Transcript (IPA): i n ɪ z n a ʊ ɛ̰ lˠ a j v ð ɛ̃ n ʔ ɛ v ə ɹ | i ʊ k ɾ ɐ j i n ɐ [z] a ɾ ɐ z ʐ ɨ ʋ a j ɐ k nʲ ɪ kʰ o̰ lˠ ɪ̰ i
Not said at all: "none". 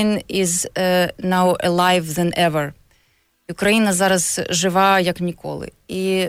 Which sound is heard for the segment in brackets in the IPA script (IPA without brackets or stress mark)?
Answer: z